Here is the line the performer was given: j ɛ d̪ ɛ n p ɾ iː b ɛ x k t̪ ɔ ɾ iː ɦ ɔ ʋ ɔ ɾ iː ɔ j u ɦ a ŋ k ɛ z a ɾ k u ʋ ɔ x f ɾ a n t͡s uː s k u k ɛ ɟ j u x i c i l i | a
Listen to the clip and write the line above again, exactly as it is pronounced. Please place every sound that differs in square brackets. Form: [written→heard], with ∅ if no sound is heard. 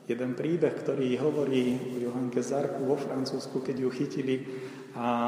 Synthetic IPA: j ɛ d̪ ɛ n p ɾ iː b ɛ x k t̪ ɔ ɾ iː ɦ ɔ ʋ ɔ ɾ iː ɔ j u ɦ a ŋ k ɛ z a ɾ k u ʋ ɔ [x→∅] f ɾ a n t͡s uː s k u k ɛ ɟ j u x i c i l i | a